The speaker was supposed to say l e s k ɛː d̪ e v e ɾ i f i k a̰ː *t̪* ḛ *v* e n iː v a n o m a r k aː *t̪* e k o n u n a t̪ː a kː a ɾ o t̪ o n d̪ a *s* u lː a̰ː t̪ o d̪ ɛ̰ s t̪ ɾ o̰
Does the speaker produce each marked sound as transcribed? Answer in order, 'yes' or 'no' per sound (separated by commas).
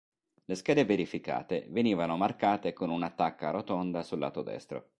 yes, yes, yes, yes